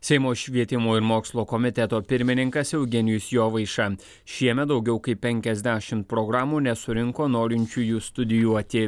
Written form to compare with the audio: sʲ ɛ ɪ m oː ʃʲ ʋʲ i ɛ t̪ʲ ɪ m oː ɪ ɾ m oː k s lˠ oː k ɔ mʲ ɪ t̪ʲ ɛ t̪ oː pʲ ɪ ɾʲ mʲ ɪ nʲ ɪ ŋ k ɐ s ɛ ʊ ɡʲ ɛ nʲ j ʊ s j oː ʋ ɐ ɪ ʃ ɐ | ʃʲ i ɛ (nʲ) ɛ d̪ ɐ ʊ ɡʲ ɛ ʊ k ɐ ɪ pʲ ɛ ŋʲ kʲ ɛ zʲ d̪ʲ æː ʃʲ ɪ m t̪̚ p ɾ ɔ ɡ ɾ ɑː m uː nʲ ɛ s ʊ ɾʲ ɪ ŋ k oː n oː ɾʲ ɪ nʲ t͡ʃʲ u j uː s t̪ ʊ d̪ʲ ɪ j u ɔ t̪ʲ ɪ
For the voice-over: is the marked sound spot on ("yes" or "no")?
no